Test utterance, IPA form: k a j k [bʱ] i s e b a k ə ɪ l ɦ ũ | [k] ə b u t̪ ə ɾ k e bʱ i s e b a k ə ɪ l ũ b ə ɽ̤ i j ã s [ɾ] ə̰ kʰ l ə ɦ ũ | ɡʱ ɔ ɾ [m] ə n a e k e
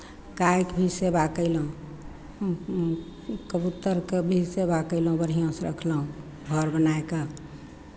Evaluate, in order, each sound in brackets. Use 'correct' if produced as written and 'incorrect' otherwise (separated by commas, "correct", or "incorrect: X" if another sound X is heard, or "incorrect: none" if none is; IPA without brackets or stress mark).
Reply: correct, correct, correct, incorrect: b